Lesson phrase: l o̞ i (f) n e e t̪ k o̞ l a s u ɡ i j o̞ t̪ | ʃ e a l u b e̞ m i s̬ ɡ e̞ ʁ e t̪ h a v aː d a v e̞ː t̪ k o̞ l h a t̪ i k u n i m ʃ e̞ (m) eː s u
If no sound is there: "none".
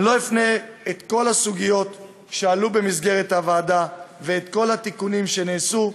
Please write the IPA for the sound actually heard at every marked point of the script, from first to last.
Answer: f, n

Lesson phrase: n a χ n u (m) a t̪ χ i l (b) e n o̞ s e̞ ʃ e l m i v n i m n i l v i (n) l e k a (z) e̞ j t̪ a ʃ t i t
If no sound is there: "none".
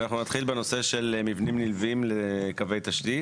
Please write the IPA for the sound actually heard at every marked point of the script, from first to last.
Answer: n, b, m, v

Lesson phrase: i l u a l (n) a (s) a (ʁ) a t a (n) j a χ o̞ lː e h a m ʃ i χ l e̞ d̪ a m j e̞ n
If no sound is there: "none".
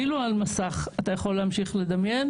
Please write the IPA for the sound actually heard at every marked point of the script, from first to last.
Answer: m, s, χ, none

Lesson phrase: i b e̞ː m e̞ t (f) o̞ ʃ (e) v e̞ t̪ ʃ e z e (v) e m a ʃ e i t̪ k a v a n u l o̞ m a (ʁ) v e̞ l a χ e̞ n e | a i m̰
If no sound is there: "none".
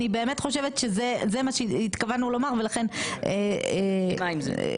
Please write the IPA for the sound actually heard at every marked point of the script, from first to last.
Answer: χ, e, z, ʁ

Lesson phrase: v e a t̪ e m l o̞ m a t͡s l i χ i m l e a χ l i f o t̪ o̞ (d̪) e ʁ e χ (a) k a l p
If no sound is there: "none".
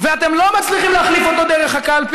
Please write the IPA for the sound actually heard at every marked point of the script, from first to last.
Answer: d̪, a

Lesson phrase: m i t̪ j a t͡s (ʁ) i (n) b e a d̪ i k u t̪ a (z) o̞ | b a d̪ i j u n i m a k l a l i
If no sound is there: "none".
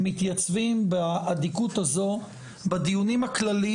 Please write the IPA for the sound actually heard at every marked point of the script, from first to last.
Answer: v, m, z

